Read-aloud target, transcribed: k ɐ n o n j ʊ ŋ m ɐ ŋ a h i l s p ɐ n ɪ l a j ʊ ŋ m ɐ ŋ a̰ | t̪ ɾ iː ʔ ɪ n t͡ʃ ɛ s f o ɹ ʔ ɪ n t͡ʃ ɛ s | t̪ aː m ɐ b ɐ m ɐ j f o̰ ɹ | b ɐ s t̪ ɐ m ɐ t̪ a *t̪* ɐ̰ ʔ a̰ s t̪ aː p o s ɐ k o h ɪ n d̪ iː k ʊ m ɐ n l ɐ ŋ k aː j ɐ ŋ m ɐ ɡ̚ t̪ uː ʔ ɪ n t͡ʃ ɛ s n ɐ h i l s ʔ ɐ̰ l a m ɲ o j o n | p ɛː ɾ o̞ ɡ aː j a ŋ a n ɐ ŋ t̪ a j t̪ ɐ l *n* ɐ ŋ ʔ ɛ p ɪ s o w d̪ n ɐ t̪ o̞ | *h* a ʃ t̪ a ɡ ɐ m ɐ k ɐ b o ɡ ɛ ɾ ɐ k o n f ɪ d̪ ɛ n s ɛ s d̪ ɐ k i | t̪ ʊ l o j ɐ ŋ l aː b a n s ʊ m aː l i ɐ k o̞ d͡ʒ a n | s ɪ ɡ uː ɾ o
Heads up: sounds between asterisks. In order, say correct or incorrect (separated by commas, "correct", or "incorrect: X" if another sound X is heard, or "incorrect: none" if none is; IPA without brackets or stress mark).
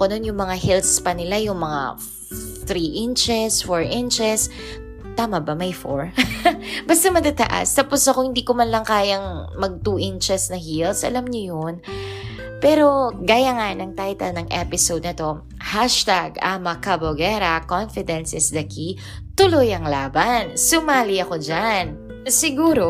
correct, correct, correct